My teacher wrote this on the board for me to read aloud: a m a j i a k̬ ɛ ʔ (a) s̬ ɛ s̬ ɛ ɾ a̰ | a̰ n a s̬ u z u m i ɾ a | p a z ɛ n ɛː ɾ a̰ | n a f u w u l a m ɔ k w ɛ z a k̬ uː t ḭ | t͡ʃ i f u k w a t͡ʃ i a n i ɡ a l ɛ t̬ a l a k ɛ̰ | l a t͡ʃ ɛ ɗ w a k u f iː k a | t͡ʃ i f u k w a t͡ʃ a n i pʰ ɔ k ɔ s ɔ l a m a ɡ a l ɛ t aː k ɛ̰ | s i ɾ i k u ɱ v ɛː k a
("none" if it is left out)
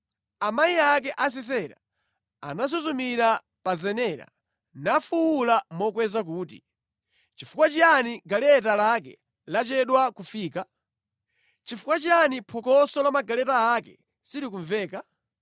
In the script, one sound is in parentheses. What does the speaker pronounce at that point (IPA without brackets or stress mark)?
a